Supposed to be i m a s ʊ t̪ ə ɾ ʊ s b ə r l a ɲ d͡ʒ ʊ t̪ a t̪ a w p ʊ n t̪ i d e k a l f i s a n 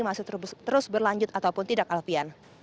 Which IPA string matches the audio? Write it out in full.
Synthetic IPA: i m a s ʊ t̪ ə ɾ ʊ s b ə r l a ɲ d͡ʒ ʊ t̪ a t̪ a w p ʊ n t̪ i d a k a l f i a n